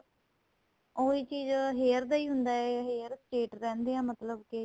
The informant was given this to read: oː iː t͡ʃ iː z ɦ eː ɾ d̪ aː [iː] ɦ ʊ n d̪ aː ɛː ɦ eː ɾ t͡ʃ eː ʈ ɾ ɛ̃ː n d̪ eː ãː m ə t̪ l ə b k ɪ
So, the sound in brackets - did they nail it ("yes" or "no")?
yes